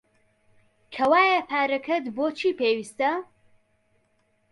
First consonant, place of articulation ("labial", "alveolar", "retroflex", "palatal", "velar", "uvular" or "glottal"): velar